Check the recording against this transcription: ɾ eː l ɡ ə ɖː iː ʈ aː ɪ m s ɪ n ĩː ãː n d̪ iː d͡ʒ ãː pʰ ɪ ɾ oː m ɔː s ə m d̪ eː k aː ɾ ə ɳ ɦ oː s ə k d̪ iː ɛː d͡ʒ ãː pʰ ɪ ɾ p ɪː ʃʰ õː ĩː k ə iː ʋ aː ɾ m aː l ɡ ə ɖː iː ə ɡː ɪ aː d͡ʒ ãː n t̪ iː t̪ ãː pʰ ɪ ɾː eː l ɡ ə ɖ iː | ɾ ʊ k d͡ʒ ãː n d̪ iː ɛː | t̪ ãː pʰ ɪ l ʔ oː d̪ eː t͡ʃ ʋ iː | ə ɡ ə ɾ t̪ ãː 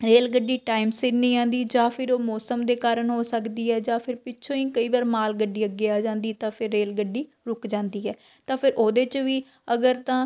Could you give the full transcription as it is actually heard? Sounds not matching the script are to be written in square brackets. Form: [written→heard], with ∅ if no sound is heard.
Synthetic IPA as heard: ɾ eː l ɡ ə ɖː iː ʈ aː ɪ m s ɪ n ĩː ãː n d̪ iː d͡ʒ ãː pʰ ɪ ɾ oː m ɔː s ə m d̪ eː k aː ɾ ə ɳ ɦ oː s ə k d̪ iː ɛː d͡ʒ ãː pʰ ɪ ɾ p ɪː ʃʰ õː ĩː k ə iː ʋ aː ɾ m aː l ɡ ə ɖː iː ə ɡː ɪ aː d͡ʒ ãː n [t̪→d̪] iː t̪ ãː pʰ ɪ ɾː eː l ɡ ə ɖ iː | ɾ ʊ k d͡ʒ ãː n d̪ iː ɛː | t̪ ãː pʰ ɪ [l→ɾ] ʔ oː d̪ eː t͡ʃ ʋ iː | ə ɡ ə ɾ t̪ ãː